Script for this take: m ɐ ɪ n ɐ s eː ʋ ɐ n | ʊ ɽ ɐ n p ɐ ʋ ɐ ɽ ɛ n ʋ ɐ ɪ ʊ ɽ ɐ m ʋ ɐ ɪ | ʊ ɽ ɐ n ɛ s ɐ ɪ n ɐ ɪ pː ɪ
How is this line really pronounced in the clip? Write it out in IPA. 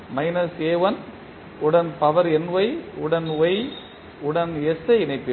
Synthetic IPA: m ɐ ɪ n ɐ s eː ʋ ɐ n | ʊ ɽ ɐ n p ɐ ʋ ɐ ɾ ɛ n ʋ ɐ ɪ ʊ ɽ ɐ n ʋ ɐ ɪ | ʊ ɽ ɐ n ɛ s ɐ ɪ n ɐ ɪ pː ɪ